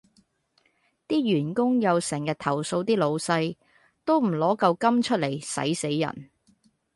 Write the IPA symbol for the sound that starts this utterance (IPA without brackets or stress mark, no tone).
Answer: t̪